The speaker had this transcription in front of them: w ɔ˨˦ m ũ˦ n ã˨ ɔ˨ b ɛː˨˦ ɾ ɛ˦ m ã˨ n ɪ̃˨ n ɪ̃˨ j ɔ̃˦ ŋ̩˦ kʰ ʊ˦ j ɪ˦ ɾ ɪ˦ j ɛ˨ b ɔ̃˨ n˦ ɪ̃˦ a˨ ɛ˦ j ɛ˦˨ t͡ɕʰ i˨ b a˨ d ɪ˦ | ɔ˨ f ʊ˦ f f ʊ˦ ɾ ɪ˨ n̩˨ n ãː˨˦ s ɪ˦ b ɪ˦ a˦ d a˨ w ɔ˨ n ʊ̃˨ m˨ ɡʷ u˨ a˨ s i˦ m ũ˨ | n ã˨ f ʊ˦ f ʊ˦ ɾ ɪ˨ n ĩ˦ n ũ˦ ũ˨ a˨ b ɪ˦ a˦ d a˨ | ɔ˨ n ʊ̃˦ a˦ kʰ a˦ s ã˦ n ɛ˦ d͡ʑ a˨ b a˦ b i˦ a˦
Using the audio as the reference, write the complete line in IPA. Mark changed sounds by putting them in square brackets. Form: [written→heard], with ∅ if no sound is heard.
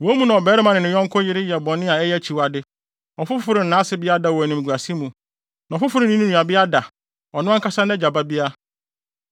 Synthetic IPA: w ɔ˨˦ m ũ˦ n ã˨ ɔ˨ b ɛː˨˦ ɾ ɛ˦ m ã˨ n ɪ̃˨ n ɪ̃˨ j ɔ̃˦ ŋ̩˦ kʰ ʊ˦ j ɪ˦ ɾ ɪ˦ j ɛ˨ b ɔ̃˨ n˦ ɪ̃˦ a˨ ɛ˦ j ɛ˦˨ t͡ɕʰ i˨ [b→w] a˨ d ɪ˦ | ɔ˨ f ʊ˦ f f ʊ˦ ɾ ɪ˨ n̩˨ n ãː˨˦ s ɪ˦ b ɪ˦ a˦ d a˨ w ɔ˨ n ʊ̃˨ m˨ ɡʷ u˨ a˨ s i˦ m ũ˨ | n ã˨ f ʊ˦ f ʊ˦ ɾ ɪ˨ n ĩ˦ n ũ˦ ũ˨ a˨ b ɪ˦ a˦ d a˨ | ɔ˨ n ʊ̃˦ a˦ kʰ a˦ s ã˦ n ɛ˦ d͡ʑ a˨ b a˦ b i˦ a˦